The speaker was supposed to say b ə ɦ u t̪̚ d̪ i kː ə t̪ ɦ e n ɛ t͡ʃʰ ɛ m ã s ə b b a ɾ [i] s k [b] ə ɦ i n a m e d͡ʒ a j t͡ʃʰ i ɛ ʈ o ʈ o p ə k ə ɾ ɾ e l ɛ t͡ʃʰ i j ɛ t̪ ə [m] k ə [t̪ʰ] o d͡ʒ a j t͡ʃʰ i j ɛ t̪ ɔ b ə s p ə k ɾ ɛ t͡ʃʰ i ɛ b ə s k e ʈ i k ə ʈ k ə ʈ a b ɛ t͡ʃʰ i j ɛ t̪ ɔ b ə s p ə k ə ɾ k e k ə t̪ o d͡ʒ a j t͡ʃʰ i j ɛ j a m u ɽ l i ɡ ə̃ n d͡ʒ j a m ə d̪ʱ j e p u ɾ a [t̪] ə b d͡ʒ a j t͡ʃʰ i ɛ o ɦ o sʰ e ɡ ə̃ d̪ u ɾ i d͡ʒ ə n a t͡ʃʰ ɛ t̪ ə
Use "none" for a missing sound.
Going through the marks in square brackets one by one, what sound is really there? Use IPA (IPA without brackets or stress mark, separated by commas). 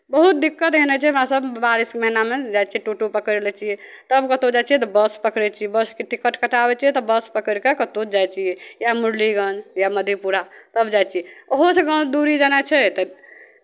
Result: i, m, b, t̪, t̪